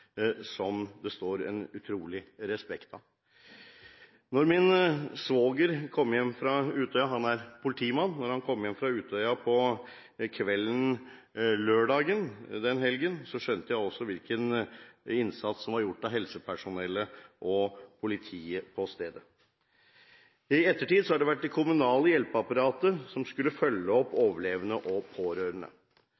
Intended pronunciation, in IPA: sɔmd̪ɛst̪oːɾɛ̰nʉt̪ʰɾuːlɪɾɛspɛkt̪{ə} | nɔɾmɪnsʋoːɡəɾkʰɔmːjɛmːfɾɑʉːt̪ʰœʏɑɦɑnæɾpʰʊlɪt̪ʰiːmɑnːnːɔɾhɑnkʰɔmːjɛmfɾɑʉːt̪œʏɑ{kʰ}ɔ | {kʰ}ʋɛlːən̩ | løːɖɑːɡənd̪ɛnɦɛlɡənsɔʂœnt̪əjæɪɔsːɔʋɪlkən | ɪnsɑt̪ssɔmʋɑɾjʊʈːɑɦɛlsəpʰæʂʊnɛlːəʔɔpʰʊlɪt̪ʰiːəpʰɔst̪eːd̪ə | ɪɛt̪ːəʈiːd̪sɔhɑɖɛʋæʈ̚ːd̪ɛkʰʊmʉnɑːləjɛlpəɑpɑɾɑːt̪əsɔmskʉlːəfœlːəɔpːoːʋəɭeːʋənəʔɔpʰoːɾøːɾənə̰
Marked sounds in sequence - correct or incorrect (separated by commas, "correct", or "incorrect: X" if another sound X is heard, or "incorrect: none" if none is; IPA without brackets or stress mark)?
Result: incorrect: ɑ, incorrect: pʰ, correct